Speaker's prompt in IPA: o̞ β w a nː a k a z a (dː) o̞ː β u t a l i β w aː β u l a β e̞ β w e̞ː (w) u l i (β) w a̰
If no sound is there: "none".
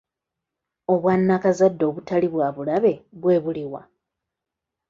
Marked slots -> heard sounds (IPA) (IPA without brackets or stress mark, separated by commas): dː, β, none